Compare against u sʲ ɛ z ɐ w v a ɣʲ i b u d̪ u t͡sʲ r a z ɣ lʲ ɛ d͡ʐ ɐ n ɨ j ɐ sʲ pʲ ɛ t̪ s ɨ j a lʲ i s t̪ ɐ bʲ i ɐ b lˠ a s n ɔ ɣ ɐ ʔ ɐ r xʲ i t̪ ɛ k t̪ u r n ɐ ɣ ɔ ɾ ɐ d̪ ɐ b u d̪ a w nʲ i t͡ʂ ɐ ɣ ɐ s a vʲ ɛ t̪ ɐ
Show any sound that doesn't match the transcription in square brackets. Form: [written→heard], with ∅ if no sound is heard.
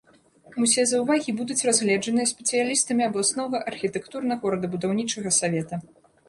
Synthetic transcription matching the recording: u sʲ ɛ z ɐ w v a ɣʲ i b u d̪ u t͡sʲ r a z ɣ lʲ ɛ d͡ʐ ɐ n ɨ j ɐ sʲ pʲ ɛ t̪ s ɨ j a lʲ i s t̪ ɐ [bʲ→mʲ] i ɐ b lˠ a s n ɔ ɣ ɐ ʔ ɐ r xʲ i t̪ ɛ k t̪ u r n ɐ ɣ ɔ ɾ ɐ d̪ ɐ b u d̪ a w nʲ i t͡ʂ ɐ ɣ ɐ s a vʲ ɛ t̪ ɐ